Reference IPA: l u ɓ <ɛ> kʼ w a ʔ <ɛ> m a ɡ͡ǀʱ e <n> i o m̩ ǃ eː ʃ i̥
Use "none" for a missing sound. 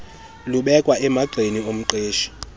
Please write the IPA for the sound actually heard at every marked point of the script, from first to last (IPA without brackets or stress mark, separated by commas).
ɛ, ɛ, n